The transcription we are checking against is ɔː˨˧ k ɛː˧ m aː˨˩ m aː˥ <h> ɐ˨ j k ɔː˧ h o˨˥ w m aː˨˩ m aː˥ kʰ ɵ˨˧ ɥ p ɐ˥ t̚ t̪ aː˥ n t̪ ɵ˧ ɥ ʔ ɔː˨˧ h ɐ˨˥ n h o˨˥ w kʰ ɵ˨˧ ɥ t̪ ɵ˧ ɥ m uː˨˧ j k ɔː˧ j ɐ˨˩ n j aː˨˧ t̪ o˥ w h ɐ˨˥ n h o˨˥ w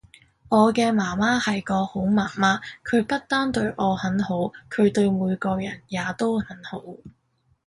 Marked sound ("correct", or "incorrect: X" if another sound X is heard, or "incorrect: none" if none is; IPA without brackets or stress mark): correct